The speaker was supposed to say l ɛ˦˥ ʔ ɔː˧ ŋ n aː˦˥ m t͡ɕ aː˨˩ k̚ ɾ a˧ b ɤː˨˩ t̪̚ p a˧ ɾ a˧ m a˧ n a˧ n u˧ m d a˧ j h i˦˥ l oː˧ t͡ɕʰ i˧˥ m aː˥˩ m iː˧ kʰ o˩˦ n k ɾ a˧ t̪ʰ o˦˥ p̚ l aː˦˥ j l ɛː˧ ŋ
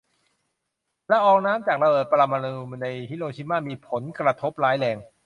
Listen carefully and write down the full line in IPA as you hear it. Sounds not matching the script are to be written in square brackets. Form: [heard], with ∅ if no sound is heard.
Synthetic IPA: l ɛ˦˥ ʔ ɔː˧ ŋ n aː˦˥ m t͡ɕ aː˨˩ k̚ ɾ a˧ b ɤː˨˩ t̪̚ p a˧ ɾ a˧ m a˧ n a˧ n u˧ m [n] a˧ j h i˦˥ l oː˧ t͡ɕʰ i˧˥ m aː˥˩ m iː˧ [pʰ] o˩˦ n k ɾ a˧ t̪ʰ o˦˥ p̚ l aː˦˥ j l ɛː˧ ŋ